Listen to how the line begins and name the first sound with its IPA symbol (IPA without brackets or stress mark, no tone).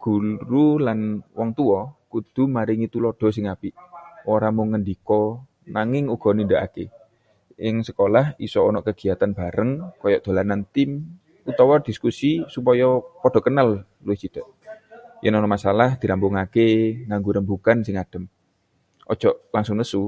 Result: ɡ̥